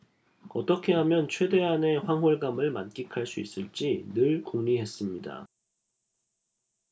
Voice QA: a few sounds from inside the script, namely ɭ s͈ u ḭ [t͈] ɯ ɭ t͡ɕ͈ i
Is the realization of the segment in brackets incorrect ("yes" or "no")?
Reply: yes